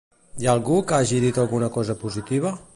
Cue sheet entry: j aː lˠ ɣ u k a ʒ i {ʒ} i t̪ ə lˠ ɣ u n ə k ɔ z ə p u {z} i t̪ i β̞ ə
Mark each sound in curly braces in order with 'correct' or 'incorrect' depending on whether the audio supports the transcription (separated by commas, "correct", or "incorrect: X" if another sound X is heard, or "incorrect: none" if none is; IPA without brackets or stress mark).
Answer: incorrect: ð, correct